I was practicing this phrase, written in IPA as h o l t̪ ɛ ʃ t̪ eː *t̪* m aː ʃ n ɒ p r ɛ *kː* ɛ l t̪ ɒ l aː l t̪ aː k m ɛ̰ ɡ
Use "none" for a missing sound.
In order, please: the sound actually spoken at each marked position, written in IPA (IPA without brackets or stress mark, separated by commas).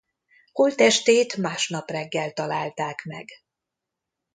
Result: t̪, ɡː